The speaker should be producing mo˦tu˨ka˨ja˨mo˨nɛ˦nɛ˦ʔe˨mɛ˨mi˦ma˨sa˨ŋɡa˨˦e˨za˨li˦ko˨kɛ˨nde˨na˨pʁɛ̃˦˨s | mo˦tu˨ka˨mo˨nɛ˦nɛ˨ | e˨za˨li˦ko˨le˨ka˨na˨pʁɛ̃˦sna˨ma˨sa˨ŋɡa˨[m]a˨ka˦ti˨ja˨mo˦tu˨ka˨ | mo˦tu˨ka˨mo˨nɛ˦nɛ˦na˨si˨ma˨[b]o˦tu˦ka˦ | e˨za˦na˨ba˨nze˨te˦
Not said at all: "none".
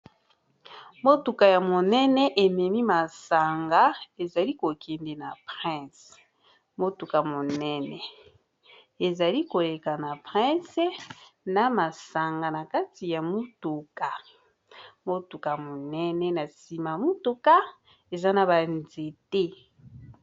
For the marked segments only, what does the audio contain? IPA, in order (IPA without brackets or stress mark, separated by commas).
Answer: n, m